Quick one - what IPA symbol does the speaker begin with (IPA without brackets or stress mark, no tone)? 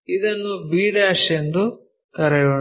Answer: i